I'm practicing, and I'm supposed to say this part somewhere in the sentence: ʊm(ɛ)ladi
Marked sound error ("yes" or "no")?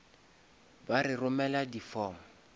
no